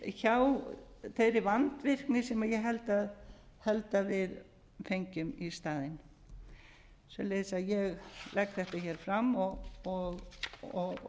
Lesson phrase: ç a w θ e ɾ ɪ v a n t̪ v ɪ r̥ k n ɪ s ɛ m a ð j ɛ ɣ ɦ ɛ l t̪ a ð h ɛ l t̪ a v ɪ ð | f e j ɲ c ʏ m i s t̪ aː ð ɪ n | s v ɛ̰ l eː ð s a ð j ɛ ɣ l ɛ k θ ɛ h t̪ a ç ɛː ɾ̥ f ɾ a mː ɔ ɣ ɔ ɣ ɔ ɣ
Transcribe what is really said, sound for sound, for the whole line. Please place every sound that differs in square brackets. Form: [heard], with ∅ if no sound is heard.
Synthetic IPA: ç a w θ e ɾ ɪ v a n t̪ v ɪ r̥ k n ɪ s ɛ m a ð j ɛ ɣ ɦ ɛ l t̪ a ð h ɛ l t̪ a v ɪ ð | f e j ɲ c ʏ m i s t̪ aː ð ɪ n | s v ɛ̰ l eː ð s a ð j ɛ ɣ l ɛ k θ ɛ h t̪ a ç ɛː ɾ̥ f ɾ a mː ɔ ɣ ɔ ɣ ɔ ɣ